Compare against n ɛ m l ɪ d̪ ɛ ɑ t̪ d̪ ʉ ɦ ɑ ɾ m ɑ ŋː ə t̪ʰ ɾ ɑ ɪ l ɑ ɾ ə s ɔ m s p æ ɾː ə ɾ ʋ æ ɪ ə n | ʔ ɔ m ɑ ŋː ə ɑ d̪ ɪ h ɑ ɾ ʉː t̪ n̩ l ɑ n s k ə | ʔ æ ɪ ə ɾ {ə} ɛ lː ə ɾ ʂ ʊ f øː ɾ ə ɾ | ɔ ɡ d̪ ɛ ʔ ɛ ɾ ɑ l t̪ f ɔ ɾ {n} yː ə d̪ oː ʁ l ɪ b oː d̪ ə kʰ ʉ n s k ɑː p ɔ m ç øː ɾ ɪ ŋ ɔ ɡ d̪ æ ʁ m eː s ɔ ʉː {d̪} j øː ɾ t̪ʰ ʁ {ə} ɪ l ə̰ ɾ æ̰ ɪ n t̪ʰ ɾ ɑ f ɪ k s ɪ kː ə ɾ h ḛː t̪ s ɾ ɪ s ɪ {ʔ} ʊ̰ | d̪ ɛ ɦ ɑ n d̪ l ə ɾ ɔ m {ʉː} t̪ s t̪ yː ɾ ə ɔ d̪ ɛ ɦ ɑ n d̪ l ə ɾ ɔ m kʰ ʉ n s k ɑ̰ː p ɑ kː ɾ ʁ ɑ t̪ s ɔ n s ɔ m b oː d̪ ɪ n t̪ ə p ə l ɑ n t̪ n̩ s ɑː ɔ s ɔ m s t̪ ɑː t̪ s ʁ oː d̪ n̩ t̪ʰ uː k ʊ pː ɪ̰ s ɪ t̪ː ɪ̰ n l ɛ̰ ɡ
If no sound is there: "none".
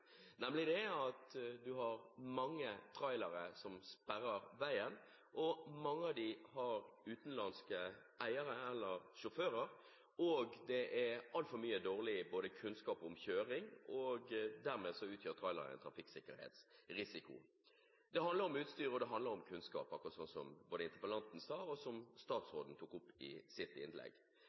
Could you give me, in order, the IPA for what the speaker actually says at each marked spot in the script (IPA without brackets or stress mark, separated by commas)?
ə, m, t̪, ɑ, k, ʉː